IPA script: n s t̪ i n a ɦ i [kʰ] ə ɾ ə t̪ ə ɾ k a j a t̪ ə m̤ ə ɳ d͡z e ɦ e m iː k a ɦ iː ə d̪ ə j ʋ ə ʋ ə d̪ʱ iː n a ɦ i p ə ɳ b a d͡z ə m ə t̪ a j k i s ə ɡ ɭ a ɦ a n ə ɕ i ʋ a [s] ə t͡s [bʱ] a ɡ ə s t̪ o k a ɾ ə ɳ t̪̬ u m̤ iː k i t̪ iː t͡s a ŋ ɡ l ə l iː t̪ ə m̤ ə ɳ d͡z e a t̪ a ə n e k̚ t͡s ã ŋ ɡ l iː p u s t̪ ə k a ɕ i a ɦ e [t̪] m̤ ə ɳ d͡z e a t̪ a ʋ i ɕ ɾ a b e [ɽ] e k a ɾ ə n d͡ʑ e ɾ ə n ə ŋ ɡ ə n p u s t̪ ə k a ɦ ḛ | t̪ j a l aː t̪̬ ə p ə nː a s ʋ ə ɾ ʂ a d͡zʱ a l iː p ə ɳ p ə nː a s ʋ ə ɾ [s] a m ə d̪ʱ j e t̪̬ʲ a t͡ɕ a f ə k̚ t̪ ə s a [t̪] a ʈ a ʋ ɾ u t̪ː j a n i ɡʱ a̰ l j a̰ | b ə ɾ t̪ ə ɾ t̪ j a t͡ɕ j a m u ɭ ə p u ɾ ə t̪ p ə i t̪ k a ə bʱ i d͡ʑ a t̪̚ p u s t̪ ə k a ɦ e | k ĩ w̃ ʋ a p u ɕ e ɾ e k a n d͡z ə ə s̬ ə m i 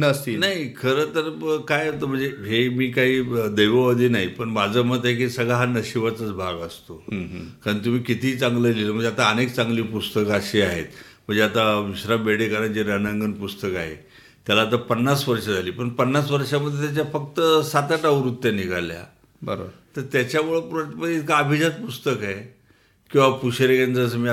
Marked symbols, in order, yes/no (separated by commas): yes, no, yes, yes, yes, no, yes